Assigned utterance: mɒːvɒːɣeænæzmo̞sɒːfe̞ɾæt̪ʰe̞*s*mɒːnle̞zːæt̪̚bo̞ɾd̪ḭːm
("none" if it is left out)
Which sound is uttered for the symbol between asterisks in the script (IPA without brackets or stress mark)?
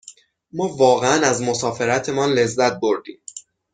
none